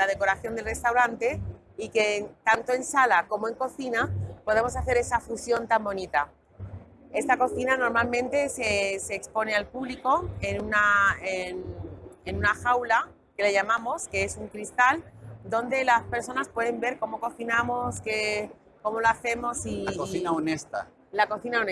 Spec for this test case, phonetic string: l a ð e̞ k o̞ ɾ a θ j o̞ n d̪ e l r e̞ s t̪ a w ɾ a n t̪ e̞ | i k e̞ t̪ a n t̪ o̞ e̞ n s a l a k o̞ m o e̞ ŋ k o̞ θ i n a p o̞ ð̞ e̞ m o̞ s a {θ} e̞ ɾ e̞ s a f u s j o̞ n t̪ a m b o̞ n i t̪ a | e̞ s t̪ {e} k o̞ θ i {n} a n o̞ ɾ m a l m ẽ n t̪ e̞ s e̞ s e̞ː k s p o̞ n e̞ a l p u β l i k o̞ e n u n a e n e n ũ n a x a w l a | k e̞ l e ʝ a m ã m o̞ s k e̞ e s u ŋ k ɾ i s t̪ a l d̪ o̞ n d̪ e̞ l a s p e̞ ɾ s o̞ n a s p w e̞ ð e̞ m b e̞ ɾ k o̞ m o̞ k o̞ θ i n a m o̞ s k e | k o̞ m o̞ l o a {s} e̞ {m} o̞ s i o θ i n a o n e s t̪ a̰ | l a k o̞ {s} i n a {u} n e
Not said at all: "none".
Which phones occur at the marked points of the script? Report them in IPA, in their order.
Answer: θ, a, n, θ, m, θ, o

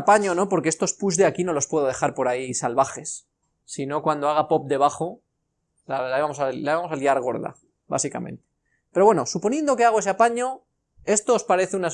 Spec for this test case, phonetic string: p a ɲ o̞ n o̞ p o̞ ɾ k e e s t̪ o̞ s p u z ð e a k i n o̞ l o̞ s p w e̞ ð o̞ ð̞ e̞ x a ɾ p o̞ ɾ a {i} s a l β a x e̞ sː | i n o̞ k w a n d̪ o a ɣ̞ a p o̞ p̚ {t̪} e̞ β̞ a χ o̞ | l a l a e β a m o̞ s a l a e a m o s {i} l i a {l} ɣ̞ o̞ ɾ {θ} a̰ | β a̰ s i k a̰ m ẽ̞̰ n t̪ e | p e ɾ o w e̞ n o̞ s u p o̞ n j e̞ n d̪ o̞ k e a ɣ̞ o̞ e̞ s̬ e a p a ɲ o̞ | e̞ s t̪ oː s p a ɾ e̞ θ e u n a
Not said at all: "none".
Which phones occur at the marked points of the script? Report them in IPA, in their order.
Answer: i, d̪, a, ɾ, ð

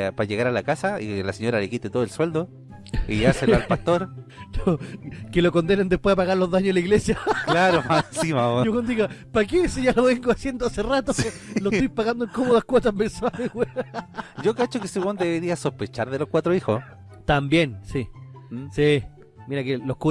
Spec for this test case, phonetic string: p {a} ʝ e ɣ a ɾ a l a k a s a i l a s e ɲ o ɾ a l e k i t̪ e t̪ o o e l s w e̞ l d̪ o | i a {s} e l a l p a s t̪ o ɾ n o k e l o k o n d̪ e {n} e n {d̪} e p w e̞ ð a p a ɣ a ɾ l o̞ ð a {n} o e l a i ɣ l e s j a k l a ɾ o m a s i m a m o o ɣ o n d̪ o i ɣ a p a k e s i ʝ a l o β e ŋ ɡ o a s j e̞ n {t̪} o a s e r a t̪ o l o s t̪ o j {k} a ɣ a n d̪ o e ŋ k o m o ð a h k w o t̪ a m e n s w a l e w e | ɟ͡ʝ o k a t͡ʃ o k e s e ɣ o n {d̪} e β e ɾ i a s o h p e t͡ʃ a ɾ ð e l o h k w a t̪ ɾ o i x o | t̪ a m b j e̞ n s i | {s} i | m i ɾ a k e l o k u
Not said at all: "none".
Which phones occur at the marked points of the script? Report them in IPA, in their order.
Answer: a, s, n, d̪, ɲ, d̪, p, d̪, s

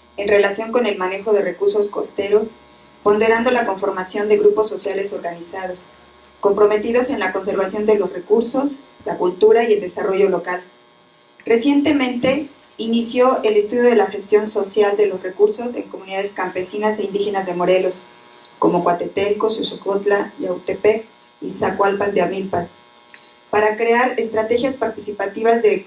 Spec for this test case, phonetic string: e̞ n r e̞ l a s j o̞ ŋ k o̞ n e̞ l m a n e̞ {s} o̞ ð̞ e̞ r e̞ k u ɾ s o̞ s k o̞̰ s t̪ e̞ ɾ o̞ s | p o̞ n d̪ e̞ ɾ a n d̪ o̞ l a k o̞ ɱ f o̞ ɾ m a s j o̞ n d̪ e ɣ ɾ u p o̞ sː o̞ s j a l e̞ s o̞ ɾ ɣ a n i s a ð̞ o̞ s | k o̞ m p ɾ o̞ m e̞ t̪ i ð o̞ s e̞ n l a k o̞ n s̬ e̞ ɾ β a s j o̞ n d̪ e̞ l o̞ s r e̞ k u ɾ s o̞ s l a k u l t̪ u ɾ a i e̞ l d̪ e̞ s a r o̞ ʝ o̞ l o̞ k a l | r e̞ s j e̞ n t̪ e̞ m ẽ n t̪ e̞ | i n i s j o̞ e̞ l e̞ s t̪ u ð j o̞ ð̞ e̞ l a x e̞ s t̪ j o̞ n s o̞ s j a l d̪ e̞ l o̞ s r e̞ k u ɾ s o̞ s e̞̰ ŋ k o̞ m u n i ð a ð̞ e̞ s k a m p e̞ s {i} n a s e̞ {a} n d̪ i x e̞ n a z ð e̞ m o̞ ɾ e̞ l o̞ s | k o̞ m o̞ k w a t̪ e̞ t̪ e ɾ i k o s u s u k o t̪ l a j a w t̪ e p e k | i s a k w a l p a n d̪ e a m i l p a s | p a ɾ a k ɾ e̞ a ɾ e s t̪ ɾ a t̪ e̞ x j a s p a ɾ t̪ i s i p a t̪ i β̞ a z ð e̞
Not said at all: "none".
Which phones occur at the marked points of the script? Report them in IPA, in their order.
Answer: x, i, i

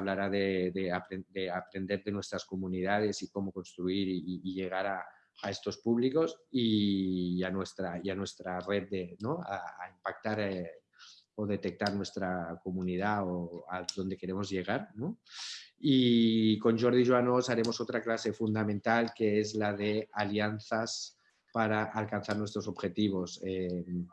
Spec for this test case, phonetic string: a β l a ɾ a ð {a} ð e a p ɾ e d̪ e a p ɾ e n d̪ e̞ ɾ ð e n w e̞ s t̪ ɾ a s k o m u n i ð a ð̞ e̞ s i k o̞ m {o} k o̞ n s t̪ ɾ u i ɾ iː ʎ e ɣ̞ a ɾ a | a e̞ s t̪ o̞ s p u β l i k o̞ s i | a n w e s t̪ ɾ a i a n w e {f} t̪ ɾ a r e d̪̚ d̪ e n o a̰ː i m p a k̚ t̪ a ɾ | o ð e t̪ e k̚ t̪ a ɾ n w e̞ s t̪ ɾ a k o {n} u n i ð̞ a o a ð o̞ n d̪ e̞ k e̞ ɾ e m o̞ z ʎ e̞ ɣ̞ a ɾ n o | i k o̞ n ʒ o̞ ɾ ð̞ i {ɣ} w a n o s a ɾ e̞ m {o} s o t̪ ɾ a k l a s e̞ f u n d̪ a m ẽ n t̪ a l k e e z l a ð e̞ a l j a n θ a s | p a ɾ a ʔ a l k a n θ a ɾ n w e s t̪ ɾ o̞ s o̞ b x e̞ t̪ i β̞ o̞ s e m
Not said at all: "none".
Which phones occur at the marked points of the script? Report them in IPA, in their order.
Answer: e, o, s, m, ʒ, o

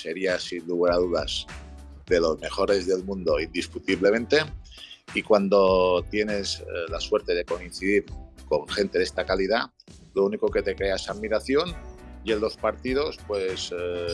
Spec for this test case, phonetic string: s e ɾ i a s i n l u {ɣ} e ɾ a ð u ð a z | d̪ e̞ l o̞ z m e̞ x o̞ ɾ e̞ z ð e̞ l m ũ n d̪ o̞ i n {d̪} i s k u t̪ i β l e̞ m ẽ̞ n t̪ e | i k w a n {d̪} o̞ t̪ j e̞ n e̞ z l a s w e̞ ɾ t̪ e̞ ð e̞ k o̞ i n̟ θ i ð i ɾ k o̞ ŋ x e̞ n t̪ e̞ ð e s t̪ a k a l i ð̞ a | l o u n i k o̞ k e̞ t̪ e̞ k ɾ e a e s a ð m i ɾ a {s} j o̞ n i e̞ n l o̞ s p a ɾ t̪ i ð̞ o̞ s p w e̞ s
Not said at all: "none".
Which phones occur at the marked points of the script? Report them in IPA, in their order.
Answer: ɣ, d̪, d̪, θ

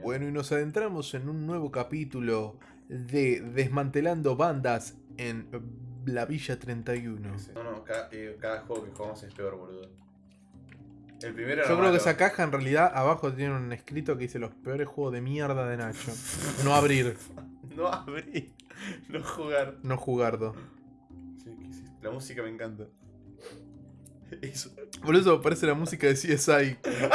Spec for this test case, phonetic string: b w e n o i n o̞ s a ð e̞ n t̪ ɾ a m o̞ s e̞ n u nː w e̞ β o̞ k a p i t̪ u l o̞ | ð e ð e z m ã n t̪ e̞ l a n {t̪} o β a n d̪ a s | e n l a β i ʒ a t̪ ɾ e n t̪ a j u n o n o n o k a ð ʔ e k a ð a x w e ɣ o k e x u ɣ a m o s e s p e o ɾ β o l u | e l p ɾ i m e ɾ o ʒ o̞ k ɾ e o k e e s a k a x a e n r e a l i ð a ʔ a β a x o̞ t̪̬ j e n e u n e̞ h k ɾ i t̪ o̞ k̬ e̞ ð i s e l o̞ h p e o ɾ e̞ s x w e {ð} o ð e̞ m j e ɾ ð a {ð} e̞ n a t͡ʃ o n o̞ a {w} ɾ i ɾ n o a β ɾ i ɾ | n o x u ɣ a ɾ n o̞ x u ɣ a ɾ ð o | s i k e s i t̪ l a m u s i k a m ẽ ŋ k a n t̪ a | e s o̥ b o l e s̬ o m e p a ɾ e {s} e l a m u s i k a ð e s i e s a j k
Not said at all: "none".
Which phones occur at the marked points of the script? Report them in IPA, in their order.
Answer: d̪, ɣ, ð, β, s

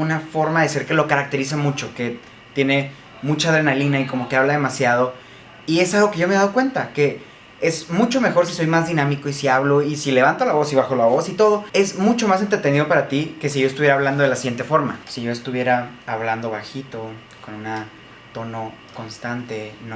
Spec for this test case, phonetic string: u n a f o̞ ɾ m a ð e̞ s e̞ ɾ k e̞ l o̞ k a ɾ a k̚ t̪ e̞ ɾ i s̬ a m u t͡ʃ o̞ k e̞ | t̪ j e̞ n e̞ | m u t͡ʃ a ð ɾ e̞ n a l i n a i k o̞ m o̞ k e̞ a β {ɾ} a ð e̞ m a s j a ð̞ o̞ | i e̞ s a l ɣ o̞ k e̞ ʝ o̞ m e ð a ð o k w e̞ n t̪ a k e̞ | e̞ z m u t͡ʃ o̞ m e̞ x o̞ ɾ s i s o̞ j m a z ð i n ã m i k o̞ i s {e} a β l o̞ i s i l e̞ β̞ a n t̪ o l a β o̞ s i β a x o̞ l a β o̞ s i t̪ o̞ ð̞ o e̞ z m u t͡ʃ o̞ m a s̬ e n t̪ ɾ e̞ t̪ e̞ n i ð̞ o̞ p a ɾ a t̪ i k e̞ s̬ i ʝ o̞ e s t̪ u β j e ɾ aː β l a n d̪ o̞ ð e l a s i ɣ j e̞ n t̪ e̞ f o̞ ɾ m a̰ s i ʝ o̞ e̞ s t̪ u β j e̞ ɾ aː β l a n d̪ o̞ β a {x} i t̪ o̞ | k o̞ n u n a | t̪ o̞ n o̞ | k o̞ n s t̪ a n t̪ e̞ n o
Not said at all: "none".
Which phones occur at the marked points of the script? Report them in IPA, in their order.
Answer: l, i, x

